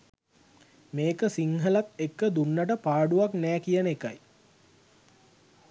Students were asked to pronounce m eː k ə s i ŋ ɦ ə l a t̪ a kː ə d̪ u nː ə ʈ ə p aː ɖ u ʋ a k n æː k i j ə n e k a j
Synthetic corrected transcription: m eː k ə s i ŋ ɦ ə l a t̪ e kː ə d̪ u nː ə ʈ ə p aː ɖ u ʋ a k n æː k i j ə n e k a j